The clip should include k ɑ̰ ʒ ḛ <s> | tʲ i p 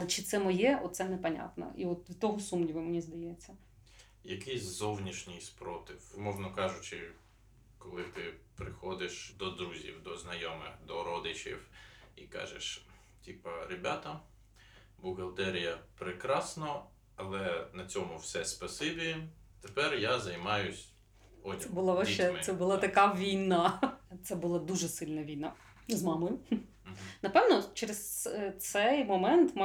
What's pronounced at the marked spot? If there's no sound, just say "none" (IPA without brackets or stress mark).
ʃ